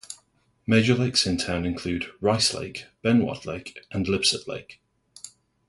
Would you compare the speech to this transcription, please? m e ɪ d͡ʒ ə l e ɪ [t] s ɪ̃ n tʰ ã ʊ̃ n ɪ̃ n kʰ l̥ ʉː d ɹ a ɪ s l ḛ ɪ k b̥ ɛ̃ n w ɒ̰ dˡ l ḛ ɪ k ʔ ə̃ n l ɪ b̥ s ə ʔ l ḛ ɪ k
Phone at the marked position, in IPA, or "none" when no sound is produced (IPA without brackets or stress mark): k